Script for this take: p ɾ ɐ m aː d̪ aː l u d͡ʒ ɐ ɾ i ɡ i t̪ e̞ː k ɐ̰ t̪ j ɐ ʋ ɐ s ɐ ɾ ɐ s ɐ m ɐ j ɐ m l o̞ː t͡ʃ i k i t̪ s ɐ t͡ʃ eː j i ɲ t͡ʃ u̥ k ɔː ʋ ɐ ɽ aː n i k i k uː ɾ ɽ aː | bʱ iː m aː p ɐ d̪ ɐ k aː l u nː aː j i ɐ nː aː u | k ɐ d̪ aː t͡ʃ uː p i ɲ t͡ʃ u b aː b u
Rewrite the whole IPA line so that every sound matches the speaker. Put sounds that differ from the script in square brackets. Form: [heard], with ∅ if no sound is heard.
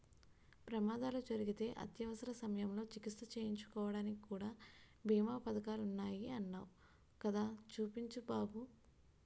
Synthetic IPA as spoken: p ɾ ɐ m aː d̪ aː l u d͡ʒ ɐ ɾ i ɡ i t̪ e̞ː [ʔ] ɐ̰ t̪ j ɐ ʋ ɐ s ɐ ɾ ɐ s ɐ m ɐ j ɐ m l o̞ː t͡ʃ i k i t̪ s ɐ t͡ʃ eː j i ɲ t͡ʃ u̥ k ɔː ʋ ɐ ɽ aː n i k i k uː [∅] ɽ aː | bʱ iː m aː p ɐ d̪ ɐ k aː l u nː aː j i ɐ nː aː u | k ɐ d̪ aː t͡ʃ uː p i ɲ t͡ʃ u b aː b u

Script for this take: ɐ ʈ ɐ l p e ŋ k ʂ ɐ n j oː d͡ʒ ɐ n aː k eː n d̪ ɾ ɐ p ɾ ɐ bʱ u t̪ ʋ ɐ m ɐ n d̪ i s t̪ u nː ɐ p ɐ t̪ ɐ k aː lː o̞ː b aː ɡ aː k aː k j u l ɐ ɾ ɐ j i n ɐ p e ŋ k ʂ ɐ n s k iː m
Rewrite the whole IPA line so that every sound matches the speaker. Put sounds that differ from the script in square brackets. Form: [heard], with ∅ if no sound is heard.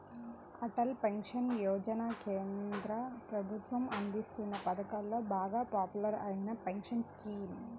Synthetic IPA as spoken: ɐ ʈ ɐ l p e ŋ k ʂ ɐ n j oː d͡ʒ ɐ n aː k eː n d̪ ɾ ɐ p ɾ ɐ bʱ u t̪ ʋ ɐ m ɐ n d̪ i s t̪ u nː ɐ p ɐ [d̪] ɐ k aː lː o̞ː b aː ɡ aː [p] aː [p] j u l ɐ ɾ ɐ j i n ɐ p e ŋ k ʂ ɐ n s k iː m

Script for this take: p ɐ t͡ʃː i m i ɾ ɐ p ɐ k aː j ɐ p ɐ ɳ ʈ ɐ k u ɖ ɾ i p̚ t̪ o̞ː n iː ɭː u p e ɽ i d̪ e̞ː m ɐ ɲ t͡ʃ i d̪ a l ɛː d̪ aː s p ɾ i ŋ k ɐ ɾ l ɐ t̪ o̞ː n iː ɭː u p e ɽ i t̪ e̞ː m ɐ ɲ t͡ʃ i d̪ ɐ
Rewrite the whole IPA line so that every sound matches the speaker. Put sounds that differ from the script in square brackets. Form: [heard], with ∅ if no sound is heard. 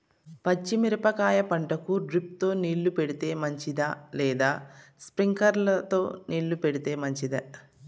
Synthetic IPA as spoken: p ɐ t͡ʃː i m i ɾ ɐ p ɐ k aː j ɐ p ɐ ɳ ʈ ɐ k u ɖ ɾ i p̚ t̪ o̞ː n iː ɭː u p e ɽ i [t̪] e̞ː m ɐ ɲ t͡ʃ i d̪ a l ɛː d̪ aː s p ɾ i ŋ k ɐ ɾ l ɐ t̪ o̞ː n iː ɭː u p e ɽ i t̪ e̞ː m ɐ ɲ t͡ʃ i d̪ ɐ

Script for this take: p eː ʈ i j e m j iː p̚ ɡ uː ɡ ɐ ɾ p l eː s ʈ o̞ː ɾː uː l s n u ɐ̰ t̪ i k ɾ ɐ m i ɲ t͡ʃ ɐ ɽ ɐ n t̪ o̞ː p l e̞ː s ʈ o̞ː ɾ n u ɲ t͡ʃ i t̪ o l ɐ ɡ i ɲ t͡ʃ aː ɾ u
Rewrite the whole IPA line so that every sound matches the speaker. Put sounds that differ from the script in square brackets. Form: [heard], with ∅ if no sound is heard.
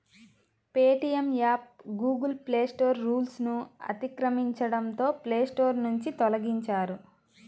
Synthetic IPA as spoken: p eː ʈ i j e m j [aː] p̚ ɡ uː ɡ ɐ [l] p l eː s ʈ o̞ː ɾː uː l s n u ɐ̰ t̪ i k ɾ ɐ m i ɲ t͡ʃ ɐ ɽ ɐ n t̪ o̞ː p l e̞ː s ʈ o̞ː ɾ n u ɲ t͡ʃ i t̪ [ɔ] l ɐ ɡ i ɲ t͡ʃ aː ɾ u

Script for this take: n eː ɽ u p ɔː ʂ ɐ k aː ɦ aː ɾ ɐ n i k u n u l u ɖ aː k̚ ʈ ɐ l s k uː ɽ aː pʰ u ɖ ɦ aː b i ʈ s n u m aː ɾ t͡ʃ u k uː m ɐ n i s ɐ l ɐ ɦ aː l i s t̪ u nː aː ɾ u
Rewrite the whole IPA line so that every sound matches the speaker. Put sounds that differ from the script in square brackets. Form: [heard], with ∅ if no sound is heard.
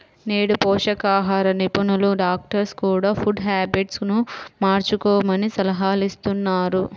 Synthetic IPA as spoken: n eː ɽ u p ɔː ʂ ɐ k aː ɦ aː ɾ ɐ n i [p] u n u l u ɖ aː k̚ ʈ ɐ [ɾ] s k uː ɽ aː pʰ u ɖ ɦ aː b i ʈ s n u m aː ɾ t͡ʃ u k [ɔː] m ɐ n i s ɐ l ɐ ɦ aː l i s t̪ u nː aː ɾ u

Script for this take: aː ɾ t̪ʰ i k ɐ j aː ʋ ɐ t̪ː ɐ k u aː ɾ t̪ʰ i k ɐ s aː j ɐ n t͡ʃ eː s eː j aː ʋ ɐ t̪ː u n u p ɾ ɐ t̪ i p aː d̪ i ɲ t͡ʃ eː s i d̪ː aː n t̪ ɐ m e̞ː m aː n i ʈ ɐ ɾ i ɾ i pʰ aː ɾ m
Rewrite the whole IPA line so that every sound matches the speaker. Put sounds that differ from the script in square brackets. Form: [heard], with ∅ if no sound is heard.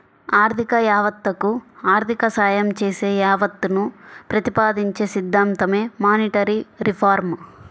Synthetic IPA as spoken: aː ɾ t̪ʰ i k ɐ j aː ʋ ɐ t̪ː ɐ k u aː ɾ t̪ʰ i k ɐ s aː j ɐ [m] t͡ʃ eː s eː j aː ʋ ɐ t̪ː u n u p ɾ ɐ t̪ i p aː d̪ i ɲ t͡ʃ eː s i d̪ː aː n t̪ ɐ m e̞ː m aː n i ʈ ɐ ɾ i ɾ i pʰ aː ɾ m

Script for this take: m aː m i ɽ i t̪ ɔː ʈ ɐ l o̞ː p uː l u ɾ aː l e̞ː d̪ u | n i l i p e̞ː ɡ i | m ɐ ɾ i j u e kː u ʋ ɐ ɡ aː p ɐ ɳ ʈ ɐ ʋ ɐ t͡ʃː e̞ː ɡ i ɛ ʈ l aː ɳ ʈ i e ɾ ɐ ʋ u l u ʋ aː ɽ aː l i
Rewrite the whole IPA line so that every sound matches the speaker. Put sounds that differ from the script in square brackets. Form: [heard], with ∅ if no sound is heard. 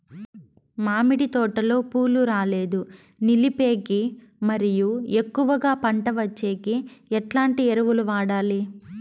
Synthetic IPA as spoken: m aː m i ɽ i t̪ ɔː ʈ ɐ l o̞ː p uː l u ɾ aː l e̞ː d̪ u | n i l i p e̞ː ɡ i | m ɐ ɾ i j u e kː u ʋ ɐ ɡ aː p ɐ ɳ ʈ ɐ ʋ ɐ t͡ʃː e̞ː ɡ i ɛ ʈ l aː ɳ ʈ i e ɾ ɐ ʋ u l u ʋ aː ɽ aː l i

